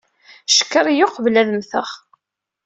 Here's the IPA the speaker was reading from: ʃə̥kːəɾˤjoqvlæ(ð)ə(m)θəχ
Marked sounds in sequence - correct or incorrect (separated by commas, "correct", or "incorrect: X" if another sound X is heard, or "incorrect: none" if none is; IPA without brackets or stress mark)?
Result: correct, correct